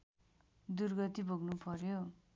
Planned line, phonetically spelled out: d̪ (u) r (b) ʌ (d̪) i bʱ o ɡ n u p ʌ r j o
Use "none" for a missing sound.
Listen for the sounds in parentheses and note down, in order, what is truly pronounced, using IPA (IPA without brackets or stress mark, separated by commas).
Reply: u, ɡ, t̪